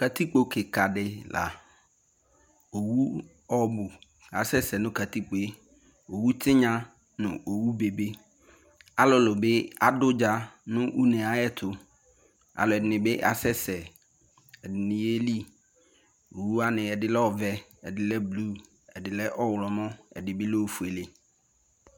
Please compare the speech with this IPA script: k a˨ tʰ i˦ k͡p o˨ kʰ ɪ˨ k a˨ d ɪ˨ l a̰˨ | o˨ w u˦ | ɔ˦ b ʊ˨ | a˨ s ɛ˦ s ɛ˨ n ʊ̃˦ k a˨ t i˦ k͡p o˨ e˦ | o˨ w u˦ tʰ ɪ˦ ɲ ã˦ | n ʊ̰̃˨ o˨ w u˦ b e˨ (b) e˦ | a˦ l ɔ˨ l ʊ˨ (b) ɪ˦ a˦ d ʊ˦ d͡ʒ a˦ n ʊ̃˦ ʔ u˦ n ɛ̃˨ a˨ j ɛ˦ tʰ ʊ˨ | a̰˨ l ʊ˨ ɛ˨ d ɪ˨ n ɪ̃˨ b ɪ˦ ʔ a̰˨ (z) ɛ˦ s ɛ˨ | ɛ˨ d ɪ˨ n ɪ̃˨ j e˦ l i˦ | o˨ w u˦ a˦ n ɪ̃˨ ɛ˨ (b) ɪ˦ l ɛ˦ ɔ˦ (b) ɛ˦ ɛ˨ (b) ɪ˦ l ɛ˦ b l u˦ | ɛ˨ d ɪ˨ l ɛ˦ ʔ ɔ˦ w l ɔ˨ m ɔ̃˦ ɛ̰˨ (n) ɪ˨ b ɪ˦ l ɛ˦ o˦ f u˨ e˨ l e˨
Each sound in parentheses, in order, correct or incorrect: correct, correct, incorrect: s, incorrect: d, incorrect: v, incorrect: d, incorrect: d

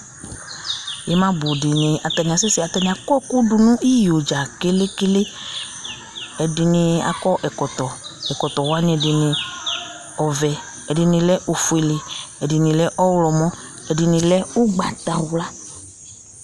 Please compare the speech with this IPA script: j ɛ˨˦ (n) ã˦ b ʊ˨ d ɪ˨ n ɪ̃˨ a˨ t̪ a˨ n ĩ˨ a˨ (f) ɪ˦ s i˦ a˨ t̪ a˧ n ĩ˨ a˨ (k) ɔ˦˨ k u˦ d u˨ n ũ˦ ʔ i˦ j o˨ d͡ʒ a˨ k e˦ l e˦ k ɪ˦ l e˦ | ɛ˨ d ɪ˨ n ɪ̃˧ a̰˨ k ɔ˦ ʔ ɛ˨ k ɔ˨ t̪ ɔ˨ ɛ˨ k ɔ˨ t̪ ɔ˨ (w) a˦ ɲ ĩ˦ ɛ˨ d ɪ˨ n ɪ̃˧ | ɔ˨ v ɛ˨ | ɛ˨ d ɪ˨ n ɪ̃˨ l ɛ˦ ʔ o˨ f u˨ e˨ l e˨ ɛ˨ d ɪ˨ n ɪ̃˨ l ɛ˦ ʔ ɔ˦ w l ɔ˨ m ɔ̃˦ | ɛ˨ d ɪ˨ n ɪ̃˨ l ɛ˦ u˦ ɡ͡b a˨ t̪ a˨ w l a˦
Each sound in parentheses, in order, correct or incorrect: incorrect: m, incorrect: s, correct, correct

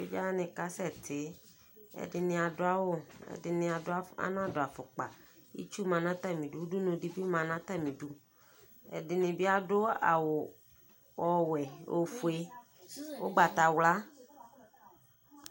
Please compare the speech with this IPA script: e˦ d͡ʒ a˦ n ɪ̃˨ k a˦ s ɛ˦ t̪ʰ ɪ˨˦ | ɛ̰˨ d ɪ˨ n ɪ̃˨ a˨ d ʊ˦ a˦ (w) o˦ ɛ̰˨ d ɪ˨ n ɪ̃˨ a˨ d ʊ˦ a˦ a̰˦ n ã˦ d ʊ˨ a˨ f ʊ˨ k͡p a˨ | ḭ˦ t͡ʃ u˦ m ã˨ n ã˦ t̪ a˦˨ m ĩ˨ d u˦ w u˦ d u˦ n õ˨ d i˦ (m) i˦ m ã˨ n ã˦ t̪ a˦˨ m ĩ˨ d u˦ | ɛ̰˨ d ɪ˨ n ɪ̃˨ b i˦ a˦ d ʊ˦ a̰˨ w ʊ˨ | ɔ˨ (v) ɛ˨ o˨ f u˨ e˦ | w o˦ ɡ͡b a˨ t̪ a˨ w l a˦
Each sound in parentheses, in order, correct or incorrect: correct, incorrect: b, incorrect: w

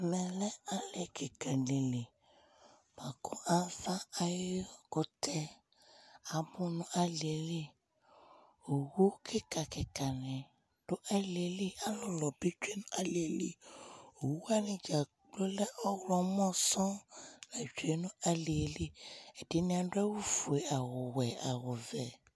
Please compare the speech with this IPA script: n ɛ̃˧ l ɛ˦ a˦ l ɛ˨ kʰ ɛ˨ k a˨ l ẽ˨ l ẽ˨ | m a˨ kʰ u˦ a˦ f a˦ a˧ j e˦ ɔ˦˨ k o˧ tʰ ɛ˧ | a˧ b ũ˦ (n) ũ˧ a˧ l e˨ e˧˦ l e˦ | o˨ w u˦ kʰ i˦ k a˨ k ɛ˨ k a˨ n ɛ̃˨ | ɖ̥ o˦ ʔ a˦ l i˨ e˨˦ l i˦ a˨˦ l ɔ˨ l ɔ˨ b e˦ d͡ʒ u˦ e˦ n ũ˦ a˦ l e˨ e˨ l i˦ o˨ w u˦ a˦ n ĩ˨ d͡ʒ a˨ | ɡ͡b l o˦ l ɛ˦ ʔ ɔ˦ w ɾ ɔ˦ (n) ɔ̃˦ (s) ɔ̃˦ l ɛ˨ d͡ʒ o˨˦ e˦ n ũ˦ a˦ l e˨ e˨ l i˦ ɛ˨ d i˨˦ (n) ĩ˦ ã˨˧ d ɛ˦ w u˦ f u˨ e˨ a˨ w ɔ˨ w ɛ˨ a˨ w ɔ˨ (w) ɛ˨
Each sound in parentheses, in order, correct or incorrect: correct, incorrect: m, correct, correct, incorrect: v

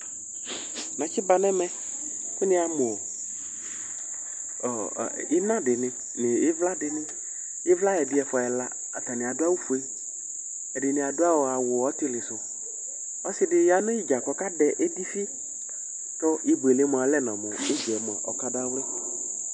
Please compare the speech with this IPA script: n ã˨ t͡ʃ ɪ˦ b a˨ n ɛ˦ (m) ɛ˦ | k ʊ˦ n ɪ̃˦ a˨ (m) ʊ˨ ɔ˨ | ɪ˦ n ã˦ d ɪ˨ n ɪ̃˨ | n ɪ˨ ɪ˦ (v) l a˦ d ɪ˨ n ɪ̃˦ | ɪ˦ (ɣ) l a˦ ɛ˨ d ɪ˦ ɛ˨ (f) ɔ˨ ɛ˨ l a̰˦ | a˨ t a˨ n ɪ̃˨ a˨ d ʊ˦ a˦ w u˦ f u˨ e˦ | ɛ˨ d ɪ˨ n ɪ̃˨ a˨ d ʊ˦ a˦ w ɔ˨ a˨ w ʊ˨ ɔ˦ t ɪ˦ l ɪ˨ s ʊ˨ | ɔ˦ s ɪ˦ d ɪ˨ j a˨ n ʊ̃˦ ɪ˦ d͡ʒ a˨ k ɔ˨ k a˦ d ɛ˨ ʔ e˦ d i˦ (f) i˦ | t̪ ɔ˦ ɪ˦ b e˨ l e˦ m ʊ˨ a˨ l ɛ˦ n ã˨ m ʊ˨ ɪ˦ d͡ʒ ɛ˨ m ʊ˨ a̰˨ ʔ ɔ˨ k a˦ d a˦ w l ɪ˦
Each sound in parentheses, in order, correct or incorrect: correct, correct, correct, incorrect: v, correct, correct

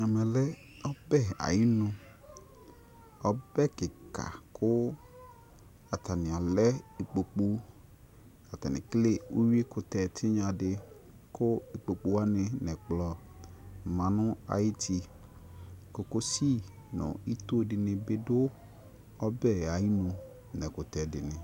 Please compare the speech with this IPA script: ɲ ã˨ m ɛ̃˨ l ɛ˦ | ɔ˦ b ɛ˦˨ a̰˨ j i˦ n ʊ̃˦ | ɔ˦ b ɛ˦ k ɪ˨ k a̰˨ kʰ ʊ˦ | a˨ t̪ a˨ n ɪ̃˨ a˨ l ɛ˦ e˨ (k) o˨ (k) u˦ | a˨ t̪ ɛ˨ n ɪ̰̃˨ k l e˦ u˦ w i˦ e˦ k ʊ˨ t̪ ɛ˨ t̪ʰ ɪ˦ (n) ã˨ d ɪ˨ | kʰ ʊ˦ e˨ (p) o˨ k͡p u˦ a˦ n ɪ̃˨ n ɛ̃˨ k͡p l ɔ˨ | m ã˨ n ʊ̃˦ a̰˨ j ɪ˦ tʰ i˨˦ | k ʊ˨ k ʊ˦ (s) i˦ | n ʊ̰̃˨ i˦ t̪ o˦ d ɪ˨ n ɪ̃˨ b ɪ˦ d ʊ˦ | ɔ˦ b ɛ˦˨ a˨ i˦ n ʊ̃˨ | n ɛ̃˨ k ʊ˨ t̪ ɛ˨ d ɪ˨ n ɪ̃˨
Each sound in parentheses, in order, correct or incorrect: incorrect: k͡p, incorrect: k͡p, incorrect: ɲ, incorrect: k͡p, correct

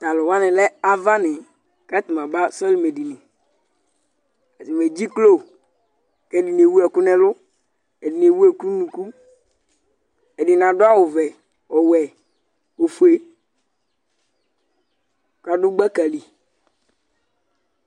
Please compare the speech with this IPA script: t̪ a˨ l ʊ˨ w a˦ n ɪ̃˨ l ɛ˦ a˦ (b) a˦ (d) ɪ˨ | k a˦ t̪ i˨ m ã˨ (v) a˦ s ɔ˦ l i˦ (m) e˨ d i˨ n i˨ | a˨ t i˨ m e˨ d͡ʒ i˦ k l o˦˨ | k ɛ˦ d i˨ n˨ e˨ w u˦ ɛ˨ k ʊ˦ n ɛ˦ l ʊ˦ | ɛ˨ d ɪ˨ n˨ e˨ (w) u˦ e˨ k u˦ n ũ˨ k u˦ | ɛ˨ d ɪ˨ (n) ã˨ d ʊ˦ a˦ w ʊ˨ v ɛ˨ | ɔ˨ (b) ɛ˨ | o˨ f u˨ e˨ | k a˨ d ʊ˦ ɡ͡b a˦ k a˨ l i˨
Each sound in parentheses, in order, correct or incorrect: incorrect: v, incorrect: n, incorrect: b, correct, correct, correct, incorrect: w

